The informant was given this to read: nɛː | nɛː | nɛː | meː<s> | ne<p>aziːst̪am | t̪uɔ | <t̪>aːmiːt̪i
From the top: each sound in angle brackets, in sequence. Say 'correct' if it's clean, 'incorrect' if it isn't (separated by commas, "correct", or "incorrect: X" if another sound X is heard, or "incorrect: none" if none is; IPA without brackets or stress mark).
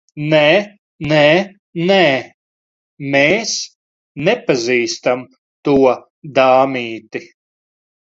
correct, correct, incorrect: d̪